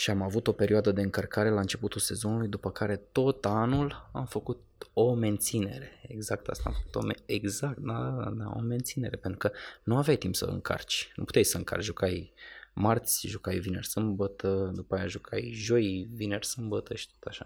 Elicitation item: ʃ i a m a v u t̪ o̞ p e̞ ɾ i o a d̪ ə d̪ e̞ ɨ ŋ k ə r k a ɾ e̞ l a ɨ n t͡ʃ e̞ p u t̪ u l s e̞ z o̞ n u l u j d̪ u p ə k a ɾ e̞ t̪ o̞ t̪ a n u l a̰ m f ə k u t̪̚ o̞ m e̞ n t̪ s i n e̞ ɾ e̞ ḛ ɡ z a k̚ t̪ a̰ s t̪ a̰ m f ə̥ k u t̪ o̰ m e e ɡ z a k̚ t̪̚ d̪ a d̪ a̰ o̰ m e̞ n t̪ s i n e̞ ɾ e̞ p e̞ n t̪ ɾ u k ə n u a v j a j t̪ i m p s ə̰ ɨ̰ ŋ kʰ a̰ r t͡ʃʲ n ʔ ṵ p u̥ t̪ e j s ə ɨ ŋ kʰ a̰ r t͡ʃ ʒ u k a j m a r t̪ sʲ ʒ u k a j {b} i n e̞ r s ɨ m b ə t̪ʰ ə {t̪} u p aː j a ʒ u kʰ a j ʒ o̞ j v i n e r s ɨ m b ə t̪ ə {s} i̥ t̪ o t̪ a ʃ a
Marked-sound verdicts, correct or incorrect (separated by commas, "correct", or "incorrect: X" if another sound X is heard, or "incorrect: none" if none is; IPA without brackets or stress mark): incorrect: v, incorrect: d̪, incorrect: ʃ